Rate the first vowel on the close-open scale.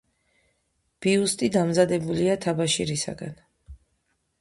close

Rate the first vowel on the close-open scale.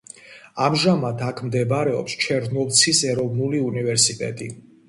open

